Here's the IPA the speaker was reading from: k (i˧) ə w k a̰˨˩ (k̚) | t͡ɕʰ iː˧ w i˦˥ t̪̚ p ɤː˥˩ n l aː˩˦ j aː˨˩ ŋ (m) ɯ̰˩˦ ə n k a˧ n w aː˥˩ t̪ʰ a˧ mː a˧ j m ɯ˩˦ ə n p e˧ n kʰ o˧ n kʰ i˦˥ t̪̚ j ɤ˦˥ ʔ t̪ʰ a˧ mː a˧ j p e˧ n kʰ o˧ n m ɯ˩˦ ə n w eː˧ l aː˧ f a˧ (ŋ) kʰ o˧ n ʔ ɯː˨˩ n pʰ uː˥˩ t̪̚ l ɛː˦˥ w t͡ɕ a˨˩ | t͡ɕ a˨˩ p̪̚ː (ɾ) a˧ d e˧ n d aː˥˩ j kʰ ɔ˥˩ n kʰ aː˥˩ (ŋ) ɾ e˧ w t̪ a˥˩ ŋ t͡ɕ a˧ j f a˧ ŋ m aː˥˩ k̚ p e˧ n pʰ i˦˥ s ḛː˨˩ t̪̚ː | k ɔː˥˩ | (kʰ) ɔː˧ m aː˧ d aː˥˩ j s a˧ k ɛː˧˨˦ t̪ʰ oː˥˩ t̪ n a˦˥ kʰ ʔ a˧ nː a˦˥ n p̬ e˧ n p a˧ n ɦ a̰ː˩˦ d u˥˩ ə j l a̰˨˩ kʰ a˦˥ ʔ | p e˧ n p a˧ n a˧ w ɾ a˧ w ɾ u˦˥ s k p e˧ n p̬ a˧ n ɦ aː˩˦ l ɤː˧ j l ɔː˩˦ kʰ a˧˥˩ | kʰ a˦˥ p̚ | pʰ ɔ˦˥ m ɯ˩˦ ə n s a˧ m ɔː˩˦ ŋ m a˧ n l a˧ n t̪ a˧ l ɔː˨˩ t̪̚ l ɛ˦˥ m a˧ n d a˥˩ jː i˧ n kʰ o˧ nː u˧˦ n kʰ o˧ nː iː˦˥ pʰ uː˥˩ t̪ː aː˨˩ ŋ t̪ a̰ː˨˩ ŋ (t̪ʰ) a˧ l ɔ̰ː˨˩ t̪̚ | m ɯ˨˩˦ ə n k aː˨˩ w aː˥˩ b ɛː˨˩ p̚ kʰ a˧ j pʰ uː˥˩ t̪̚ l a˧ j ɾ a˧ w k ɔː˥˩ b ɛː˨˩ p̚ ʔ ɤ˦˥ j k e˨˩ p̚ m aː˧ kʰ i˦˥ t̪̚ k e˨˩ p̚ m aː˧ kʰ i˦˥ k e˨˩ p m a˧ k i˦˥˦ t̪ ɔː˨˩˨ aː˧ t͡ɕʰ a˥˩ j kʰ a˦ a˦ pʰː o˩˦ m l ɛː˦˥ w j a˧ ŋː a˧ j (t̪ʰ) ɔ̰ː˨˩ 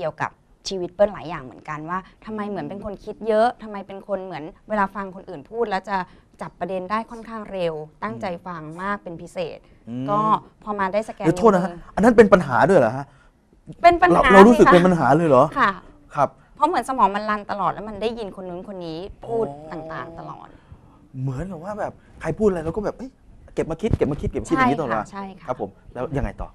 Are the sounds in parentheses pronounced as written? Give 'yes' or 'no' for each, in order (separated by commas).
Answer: yes, no, yes, yes, yes, yes, no, no, no